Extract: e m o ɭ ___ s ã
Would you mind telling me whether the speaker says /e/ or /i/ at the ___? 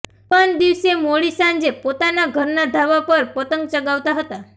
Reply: i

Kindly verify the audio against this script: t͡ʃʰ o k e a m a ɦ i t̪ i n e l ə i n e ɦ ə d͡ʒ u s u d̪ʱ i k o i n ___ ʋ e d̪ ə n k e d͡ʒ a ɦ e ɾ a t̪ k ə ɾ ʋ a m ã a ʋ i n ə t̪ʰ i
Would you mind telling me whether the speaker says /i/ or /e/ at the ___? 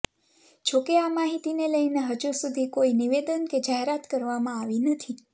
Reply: i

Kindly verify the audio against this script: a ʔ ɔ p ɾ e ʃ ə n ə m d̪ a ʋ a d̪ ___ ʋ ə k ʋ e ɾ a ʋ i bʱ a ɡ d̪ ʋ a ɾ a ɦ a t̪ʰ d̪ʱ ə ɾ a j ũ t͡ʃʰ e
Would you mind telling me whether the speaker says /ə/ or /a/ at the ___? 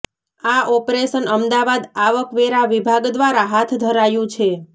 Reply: a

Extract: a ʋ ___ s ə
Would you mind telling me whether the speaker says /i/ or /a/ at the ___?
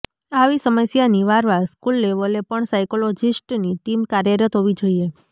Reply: i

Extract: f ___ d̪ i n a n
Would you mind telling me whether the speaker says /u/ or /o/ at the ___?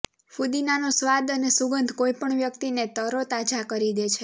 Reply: u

